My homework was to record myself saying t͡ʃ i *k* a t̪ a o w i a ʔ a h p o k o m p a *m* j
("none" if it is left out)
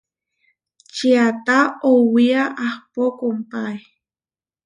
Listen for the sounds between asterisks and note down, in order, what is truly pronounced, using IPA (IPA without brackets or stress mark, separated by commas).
none, none